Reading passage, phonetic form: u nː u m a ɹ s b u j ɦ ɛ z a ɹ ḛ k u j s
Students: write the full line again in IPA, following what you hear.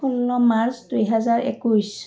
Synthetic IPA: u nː ɔ m a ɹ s d u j ɦ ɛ z a ɹ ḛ k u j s